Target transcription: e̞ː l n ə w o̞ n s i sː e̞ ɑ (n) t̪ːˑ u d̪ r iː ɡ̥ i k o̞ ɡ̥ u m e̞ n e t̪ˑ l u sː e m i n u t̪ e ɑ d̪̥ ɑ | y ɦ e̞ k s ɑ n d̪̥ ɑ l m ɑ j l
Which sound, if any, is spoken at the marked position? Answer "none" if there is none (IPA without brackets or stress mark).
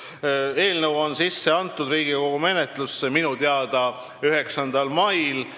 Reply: n